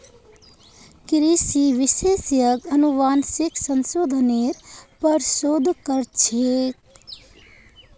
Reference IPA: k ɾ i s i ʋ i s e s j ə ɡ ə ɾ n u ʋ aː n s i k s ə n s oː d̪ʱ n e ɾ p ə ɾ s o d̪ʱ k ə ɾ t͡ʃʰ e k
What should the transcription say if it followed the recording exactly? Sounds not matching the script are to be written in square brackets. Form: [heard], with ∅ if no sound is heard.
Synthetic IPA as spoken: k ɾ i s i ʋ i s e s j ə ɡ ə [∅] n u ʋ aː n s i k s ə n s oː d̪ʱ n e ɾ p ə ɾ s o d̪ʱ k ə ɾ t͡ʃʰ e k